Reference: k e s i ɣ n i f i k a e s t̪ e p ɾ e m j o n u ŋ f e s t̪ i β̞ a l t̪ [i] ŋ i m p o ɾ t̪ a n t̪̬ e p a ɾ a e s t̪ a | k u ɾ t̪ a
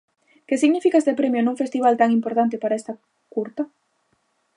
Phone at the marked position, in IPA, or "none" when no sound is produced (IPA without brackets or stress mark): a